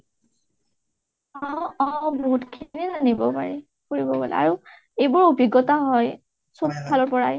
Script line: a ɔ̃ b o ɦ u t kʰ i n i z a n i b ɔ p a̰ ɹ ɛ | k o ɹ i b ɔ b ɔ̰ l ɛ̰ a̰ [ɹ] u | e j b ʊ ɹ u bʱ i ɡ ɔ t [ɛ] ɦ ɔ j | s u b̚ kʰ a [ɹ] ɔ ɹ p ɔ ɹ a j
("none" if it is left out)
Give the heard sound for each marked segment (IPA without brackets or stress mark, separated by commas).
ɹ, a, l